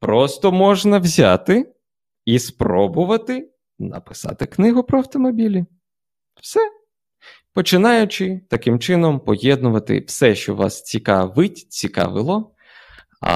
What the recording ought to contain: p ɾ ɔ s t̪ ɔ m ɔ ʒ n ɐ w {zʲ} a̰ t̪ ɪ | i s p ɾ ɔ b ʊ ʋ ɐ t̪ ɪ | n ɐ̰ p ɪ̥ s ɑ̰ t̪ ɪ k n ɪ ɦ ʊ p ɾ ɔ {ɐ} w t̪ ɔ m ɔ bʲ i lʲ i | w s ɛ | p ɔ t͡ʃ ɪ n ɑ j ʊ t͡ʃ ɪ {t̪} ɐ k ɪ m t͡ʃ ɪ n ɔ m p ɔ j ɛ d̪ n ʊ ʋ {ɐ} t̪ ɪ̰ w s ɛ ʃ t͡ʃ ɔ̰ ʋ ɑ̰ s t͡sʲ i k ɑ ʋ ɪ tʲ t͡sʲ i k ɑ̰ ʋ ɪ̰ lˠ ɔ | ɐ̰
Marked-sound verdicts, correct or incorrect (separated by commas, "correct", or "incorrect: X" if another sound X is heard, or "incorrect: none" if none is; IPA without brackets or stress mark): correct, correct, correct, correct